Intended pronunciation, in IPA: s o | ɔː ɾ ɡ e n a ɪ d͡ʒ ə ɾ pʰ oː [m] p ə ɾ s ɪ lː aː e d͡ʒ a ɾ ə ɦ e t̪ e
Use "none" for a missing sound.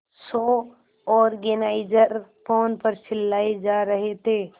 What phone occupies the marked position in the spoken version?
n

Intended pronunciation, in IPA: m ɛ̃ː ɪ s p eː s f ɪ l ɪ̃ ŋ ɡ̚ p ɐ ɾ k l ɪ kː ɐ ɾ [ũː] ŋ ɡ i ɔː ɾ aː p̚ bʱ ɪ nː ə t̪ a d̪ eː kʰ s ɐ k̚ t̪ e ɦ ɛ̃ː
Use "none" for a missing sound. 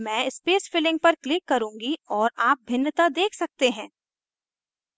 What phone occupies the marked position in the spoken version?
ũː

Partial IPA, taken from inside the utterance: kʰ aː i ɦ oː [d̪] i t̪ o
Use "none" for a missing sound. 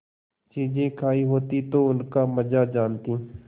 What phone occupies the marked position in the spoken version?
t̪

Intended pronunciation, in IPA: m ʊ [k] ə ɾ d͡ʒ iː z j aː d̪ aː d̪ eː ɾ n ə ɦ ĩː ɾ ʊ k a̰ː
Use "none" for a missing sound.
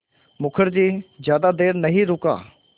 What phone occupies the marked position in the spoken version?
kʰ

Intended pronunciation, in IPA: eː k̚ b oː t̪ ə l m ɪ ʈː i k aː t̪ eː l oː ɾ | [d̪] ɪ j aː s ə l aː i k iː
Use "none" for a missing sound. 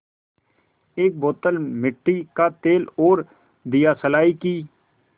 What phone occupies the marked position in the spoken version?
d̪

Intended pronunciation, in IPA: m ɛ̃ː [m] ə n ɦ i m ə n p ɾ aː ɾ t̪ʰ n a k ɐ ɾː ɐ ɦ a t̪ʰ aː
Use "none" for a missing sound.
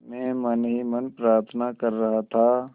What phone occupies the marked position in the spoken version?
m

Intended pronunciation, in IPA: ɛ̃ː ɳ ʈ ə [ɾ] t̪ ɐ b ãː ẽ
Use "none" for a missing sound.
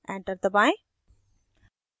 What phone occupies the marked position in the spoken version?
ɾ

